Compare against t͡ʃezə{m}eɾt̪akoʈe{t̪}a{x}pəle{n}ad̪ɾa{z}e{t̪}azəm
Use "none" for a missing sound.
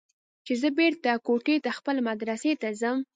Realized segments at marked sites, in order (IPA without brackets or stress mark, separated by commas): b, t̪, x, m, s, t̪